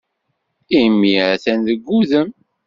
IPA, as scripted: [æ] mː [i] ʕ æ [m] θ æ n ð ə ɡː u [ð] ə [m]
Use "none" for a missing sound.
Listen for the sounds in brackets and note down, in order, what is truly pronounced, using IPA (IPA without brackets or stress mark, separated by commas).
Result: i, i, none, ð, m